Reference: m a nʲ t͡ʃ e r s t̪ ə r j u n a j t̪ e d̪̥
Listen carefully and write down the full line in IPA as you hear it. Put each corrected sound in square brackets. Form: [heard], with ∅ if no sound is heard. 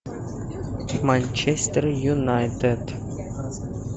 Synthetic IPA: m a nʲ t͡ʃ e [∅] s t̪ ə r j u n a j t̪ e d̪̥